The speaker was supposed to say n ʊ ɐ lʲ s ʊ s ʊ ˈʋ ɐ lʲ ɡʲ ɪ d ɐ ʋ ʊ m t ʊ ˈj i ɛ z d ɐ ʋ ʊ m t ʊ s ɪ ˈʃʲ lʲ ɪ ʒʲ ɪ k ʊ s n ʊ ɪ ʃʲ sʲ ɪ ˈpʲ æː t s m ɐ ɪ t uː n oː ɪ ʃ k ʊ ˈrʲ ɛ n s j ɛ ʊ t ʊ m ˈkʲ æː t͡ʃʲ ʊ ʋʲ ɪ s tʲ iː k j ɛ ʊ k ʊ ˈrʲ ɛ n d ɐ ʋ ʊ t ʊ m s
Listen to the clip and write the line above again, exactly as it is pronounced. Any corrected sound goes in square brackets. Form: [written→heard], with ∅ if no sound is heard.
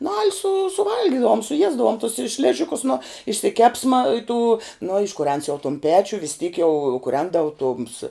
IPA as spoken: n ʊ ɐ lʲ s ʊ s ʊ ˈʋ ɐ lʲ ɡʲ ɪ d ɐ ʋ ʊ m [t→s] ʊ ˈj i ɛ z d ɐ ʋ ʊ m t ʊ s ɪ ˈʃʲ lʲ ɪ ʒʲ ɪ k ʊ s n ʊ ɪ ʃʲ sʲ ɪ [ˈpʲ→ˈkʲ] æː [t→p] s m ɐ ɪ t uː n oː ɪ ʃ k ʊ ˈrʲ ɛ n s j ɛ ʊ t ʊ m [ˈkʲ→ˈpʲ] æː t͡ʃʲ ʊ ʋʲ ɪ s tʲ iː k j ɛ ʊ k ʊ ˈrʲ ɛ n d ɐ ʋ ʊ t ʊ m s